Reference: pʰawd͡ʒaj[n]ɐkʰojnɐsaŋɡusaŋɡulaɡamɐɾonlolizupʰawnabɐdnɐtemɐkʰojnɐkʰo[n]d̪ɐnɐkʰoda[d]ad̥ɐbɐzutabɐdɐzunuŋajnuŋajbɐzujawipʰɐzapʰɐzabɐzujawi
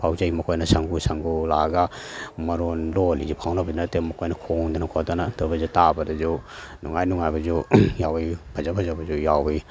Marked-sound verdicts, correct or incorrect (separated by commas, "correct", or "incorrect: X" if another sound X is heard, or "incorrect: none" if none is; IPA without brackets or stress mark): incorrect: m, incorrect: ŋ, incorrect: n